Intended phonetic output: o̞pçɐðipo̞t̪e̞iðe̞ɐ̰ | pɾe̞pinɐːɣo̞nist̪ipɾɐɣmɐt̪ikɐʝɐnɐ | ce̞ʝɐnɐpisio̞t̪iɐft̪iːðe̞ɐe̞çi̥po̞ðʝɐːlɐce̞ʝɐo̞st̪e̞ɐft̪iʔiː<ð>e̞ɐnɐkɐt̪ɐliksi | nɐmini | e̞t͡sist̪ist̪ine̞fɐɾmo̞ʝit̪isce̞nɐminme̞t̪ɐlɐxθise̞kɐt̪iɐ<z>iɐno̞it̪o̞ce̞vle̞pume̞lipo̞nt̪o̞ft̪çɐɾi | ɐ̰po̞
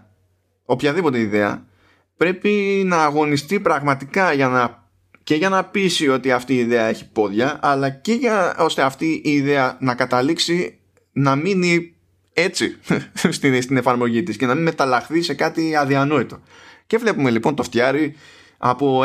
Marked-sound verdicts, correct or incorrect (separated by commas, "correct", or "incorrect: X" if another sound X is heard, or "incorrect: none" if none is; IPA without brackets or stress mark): correct, incorrect: ð